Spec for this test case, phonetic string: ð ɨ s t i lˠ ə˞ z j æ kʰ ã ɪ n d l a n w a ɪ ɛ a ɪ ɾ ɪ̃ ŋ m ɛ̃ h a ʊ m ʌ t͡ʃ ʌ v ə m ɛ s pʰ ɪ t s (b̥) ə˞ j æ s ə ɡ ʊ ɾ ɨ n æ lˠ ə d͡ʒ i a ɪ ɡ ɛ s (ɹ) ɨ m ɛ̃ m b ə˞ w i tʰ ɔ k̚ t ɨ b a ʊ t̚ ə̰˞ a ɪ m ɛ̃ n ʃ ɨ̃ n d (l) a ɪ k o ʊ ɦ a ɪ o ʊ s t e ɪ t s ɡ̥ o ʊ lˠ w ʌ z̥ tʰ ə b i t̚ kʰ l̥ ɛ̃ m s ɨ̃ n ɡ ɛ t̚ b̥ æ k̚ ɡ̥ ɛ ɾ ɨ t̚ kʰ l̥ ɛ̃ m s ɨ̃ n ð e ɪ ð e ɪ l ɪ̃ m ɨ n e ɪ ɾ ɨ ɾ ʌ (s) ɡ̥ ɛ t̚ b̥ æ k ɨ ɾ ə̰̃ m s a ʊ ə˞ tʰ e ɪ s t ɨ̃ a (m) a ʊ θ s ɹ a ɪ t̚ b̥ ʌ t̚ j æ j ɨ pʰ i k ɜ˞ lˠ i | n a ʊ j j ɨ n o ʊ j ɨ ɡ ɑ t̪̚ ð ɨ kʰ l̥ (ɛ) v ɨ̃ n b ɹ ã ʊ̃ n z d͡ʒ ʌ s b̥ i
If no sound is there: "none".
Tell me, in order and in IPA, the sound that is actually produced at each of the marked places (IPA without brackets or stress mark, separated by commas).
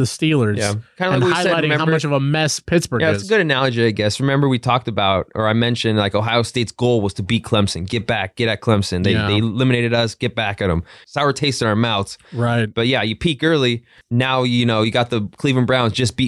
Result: b̥, ɹ, l, s, m, i